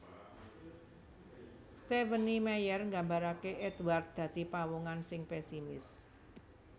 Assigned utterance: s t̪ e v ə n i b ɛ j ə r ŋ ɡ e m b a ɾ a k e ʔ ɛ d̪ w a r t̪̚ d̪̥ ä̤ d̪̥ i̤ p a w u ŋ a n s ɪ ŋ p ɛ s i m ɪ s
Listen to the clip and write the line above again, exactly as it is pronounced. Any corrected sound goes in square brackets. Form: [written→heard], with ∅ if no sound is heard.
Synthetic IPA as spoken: s t̪ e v ə n i [b→m] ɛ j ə r ŋ ɡ [e→a] m b a ɾ a k e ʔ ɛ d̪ w a r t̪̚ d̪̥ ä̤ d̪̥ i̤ p a w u ŋ a n s ɪ ŋ p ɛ s i m ɪ s

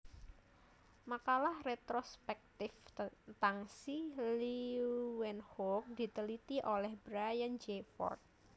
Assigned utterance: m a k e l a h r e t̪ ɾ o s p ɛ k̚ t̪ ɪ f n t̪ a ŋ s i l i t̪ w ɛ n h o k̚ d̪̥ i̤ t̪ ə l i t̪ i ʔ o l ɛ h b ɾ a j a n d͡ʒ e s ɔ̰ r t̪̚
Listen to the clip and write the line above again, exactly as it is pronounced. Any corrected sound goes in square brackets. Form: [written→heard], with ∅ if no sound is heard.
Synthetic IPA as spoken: m a k [e→a] l a h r e t̪ ɾ o s p ɛ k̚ t̪ ɪ f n t̪ a ŋ s i l i [t̪→∅] w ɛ n h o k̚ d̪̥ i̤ t̪ ə l i t̪ i ʔ o l ɛ h b ɾ a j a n d͡ʒ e [s→f] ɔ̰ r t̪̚

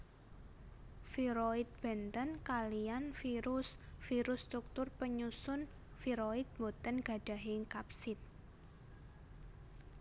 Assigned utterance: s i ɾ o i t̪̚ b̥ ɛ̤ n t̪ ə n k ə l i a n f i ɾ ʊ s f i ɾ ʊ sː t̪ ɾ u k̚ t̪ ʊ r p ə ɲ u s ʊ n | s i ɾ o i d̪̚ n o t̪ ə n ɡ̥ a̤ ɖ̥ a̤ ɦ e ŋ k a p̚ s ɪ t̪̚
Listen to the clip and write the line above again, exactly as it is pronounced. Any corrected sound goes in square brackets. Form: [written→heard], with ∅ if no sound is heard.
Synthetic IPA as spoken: [s→f] i ɾ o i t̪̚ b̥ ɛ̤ n t̪ ə n k [ə→a] l i a n f i ɾ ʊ s f i ɾ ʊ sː t̪ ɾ u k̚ t̪ ʊ r p ə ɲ u s ʊ n | [s→f] i ɾ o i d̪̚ [n→m] o t̪ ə n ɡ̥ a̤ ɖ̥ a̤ ɦ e ŋ k a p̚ s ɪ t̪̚

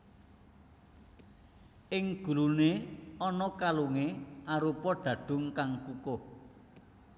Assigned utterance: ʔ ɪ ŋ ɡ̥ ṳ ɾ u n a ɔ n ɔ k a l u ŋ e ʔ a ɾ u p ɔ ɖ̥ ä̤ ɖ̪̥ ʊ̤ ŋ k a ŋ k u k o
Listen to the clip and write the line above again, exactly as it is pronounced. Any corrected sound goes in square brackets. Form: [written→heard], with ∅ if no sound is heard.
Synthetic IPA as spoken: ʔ ɪ ŋ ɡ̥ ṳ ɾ u n [a→e] ɔ n ɔ k a l u ŋ e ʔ a ɾ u p ɔ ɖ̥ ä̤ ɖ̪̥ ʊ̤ ŋ k a ŋ k u k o

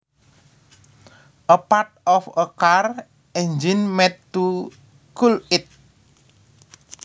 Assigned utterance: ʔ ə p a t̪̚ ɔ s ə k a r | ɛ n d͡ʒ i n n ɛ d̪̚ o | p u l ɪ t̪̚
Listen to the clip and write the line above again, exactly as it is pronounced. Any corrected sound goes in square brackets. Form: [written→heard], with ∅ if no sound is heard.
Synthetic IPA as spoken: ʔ ə p a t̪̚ ɔ [s→f] ə k a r | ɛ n d͡ʒ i n [n→m] ɛ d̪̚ [o→u] | [p→k] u l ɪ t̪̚

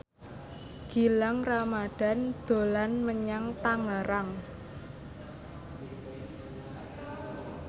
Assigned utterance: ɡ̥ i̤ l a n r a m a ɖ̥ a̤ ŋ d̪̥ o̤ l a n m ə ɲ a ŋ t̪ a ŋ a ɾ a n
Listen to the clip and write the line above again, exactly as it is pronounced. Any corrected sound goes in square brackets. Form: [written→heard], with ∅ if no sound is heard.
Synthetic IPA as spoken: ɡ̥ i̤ l a [n→ŋ] r a m a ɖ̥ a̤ [ŋ→n] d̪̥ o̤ l a n m ə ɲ a ŋ t̪ a ŋ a ɾ a [n→ŋ]

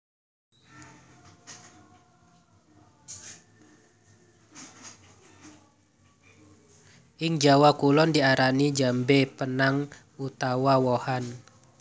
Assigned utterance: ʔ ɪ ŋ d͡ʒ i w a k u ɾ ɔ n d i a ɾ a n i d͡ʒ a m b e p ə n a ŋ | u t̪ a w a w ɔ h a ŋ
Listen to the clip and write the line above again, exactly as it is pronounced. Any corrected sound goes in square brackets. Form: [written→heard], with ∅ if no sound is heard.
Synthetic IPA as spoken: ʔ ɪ ŋ d͡ʒ [i→a] w a k u [ɾ→l] ɔ n d i a ɾ a n i d͡ʒ a m b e p ə n a ŋ | u t̪ a w a w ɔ h a [ŋ→n]

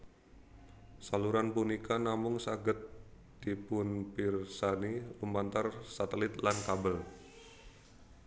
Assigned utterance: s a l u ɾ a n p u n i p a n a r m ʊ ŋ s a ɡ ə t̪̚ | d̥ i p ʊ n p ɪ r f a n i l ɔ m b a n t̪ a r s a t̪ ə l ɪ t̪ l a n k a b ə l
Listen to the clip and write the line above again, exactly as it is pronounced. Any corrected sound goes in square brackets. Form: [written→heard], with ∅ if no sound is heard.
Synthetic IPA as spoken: s a l u ɾ a n p u n i [p→k] a n a [r→∅] m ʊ ŋ s a ɡ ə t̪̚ | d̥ i p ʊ n p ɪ r [f→s] a n i l [ɔ→u] m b a n t̪ a r s a t̪ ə l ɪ t̪ l a n k a b ə l

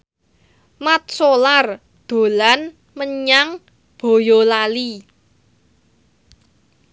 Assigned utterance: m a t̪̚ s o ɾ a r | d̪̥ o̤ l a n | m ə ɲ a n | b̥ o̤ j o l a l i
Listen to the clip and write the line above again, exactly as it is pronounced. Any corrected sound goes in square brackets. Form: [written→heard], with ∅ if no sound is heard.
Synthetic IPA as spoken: m a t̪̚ s o [ɾ→l] a r | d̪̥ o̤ l a n | m ə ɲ a [n→ŋ] | b̥ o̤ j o l a l i

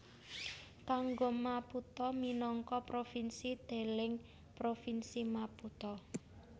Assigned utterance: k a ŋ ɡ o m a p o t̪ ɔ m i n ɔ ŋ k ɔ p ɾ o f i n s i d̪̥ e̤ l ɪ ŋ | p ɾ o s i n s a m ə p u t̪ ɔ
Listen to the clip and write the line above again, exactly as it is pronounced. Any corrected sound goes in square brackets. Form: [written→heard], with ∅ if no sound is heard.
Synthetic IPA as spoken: k a ŋ ɡ o m a p [o→u] t̪ ɔ m i n ɔ ŋ k ɔ p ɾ o f i n s i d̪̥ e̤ l ɪ ŋ | p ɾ o [s→f] i n s [a→i] m [ə→a] p u t̪ ɔ

